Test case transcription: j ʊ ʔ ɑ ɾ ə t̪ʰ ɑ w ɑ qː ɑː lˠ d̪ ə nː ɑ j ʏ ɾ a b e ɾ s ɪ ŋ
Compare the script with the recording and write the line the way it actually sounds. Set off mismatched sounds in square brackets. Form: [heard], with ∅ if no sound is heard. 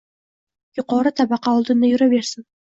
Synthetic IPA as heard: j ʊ [q] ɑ ɾ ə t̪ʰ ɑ [b] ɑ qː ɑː lˠ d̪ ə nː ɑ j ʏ ɾ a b e ɾ s ɪ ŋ